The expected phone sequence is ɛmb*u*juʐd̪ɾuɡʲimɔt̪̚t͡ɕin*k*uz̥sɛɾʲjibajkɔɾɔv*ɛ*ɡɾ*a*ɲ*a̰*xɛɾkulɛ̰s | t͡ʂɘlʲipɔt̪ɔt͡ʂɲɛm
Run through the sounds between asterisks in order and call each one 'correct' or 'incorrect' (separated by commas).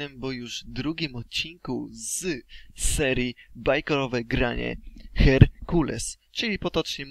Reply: incorrect, correct, correct, correct, incorrect